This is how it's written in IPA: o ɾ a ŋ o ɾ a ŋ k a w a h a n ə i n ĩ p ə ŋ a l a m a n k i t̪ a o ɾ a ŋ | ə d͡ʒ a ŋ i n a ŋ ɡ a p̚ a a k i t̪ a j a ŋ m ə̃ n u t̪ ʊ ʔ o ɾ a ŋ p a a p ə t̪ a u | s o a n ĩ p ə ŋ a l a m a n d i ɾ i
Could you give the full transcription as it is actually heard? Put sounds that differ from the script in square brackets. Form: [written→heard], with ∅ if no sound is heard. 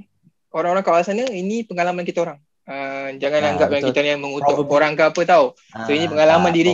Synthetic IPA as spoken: o ɾ a ŋ o ɾ a ŋ k a w a [h→s] a n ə i n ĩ p ə ŋ a l a m a n k i t̪ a o ɾ a ŋ | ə d͡ʒ a ŋ [i→a] n a ŋ ɡ a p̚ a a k i t̪ a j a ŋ m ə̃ [n→ŋ] u t̪ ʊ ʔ o ɾ a ŋ [p→k] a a p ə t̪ a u | s o [a→i] n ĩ p ə ŋ a l a m a n d i ɾ i